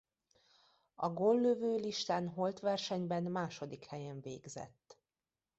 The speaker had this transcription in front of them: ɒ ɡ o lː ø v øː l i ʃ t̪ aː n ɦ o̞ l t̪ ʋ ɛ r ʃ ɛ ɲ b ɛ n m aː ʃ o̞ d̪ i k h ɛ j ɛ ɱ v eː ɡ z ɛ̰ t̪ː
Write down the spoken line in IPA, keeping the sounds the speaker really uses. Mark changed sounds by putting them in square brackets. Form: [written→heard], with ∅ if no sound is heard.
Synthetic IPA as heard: ɒ ɡ o lː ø v øː l i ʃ t̪ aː n ɦ o̞ l t̪ ʋ ɛ r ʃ ɛ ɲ b ɛ n m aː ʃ o̞ d̪ i k h ɛ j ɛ ɱ v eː ɡ z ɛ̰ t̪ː